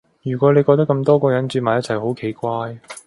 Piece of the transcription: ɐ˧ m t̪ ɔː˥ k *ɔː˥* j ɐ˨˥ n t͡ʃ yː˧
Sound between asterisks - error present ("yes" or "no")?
yes